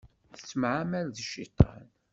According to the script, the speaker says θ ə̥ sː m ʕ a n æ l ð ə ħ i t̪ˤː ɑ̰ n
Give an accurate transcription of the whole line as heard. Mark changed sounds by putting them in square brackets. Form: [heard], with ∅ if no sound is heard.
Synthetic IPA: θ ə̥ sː m ʕ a [m] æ l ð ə [ʃ] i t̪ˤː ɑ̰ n